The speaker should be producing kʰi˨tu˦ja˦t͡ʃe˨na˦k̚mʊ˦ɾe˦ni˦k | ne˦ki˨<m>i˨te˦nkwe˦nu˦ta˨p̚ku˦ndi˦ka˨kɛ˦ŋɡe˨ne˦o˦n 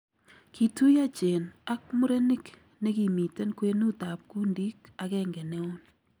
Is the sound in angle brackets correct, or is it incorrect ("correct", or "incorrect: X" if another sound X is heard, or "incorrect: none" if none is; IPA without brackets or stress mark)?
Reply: correct